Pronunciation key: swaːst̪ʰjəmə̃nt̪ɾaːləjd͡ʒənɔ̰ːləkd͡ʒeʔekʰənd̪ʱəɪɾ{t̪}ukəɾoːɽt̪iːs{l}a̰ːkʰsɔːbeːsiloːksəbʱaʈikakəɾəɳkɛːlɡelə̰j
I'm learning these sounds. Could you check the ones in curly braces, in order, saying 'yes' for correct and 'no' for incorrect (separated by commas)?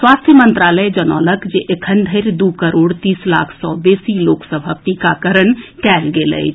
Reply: no, yes